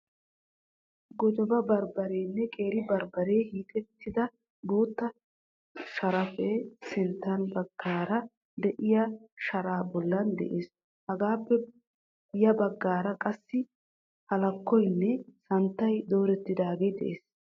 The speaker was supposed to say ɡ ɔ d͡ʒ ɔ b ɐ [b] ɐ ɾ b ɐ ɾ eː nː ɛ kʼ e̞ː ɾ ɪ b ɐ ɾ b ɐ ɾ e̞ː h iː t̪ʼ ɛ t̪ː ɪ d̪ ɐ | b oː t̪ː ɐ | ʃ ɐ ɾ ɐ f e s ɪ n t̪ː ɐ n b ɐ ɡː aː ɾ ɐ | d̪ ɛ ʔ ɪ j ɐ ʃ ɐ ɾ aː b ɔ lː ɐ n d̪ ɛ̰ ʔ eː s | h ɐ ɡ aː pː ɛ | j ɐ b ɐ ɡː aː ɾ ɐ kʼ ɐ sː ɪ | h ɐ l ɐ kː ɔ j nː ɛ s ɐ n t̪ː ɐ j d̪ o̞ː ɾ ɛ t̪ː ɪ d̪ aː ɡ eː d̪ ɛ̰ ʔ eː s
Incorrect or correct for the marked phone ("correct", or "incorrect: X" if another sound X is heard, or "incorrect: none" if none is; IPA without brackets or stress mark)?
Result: correct